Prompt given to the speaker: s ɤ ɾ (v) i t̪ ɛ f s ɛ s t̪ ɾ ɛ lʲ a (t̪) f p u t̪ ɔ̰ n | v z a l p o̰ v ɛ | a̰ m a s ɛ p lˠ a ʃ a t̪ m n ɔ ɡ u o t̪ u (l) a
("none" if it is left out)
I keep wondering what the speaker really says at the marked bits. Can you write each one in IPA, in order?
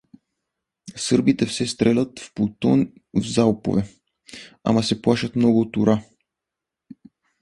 b, t̪, ɾ

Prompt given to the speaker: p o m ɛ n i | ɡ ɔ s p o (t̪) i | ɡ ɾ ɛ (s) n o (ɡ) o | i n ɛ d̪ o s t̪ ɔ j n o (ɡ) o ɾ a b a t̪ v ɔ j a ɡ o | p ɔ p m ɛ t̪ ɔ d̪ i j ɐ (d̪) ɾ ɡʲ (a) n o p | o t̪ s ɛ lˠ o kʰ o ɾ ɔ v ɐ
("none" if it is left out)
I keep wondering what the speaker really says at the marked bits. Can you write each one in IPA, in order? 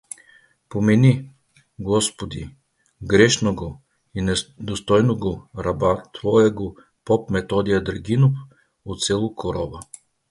d̪, ʃ, ɡ, ɡ, d̪, i

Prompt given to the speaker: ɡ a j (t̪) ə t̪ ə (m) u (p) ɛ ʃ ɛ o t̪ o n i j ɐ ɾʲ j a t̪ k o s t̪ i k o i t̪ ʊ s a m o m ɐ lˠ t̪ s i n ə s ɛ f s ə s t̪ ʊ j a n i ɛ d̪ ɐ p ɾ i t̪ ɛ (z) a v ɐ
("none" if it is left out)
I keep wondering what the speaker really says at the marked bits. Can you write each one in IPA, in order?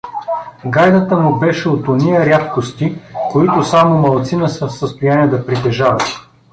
d̪, m, b, ʒ

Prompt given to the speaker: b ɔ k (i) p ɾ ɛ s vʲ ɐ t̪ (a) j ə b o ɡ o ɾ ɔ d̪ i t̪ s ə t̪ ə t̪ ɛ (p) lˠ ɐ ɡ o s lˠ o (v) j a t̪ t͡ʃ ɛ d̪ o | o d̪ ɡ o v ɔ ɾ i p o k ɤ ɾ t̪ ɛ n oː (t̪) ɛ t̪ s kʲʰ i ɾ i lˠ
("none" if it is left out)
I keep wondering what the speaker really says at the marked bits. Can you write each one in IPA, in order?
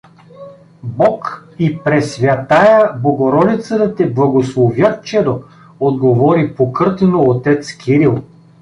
i, a, b, v, t̪

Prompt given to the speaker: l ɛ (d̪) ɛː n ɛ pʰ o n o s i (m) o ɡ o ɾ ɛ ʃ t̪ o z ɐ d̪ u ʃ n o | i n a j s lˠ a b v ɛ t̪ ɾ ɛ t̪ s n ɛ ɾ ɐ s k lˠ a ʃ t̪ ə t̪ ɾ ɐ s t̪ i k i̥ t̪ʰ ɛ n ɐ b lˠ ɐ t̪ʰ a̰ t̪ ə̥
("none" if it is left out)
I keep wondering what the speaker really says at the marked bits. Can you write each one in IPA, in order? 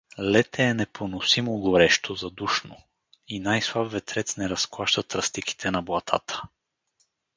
t̪, m

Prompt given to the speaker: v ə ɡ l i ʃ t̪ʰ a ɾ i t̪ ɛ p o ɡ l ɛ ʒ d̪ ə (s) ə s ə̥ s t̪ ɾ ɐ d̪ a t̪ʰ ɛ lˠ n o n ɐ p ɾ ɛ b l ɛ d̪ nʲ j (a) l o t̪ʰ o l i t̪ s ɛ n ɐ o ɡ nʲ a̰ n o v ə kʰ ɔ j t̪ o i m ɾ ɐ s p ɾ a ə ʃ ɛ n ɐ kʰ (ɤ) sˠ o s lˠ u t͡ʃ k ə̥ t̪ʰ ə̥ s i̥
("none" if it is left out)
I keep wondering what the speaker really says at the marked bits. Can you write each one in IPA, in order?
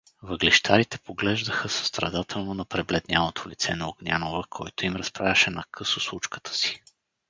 x, a, ɤ

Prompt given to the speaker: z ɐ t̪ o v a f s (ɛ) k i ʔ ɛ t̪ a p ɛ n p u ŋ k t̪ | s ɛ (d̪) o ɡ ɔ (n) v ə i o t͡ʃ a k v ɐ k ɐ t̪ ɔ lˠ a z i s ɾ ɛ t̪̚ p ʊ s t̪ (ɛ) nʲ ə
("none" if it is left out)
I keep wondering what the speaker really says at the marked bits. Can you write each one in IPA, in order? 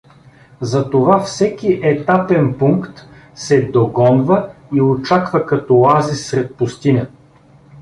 ɛ, d̪, n, i

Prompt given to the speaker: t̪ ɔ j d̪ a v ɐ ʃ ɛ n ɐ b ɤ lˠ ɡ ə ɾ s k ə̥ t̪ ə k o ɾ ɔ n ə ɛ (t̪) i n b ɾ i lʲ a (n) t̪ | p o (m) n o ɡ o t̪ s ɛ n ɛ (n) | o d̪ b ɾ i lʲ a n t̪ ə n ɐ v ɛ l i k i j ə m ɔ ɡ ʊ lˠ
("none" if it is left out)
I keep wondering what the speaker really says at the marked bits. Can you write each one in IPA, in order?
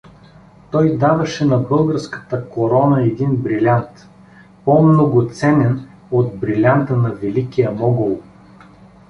d̪, n, m, n

